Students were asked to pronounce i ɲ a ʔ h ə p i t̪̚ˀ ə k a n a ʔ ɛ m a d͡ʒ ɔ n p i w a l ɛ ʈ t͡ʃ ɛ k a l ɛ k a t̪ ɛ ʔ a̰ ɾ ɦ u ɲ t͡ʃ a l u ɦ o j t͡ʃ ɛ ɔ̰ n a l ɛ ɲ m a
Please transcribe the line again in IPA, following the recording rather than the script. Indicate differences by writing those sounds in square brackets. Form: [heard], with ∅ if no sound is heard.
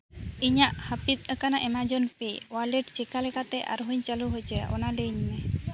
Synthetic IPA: i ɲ a ʔ h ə p i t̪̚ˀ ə k a n a ʔ ɛ m a d͡ʒ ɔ n p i w a l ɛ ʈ t͡ʃ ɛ k a l ɛ k a t̪ ɛ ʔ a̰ ɾ ɦ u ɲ t͡ʃ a l u ɦ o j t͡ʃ ɛ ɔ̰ n a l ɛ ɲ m [ɛ]